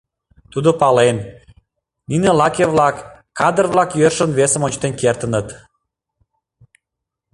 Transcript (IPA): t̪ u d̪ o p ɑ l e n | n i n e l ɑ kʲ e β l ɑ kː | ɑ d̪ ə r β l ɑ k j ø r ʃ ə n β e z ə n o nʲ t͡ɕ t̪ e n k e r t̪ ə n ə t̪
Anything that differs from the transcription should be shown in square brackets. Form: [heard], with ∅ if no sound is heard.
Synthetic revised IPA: t̪ u d̪ o p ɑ l e n | n i n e l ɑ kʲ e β l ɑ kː | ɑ d̪ ə r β l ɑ k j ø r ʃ ə n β e [s] ə [m] o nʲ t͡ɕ t̪ e n k e r t̪ ə n ə t̪